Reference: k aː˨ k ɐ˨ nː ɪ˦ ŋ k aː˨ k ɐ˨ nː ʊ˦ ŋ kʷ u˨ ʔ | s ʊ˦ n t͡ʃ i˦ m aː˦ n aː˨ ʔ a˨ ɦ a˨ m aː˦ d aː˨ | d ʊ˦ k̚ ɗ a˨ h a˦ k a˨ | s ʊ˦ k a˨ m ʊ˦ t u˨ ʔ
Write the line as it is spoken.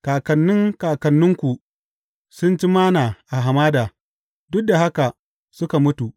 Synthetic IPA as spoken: k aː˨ k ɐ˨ nː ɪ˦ ŋ k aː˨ k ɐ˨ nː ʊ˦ ŋ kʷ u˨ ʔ | s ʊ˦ n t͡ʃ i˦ m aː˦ n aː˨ ʔ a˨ ɦ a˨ m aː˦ d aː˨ | d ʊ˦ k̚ d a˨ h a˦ k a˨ | s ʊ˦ k a˨ m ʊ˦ t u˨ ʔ